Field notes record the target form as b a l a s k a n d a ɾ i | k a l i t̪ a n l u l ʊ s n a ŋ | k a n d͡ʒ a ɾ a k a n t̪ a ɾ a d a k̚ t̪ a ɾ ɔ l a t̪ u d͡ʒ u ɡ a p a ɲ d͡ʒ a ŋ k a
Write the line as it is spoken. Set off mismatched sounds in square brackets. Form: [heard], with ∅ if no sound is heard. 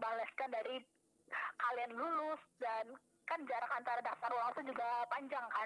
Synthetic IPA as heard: b a l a s k a n d a ɾ i | k a l i [∅] a n l u l ʊ s [d] a [n] | k a n d͡ʒ a ɾ a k a n t̪ a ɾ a d a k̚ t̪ a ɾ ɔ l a t̪ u d͡ʒ u ɡ a p a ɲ d͡ʒ a ŋ k a